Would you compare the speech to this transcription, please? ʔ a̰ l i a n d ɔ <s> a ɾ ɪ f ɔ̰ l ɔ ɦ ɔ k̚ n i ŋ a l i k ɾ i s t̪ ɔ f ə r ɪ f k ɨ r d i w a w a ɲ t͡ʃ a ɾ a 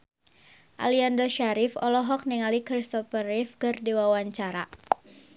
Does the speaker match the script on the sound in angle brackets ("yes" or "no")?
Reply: no